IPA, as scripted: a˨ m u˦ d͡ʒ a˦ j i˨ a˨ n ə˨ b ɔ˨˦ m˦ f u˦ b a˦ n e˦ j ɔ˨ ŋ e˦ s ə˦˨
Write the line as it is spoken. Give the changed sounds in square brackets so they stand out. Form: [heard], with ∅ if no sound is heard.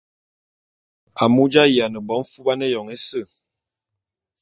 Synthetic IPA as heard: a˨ m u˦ d͡ʒ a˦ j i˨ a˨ n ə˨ b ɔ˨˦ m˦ f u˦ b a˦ n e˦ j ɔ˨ ŋ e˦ s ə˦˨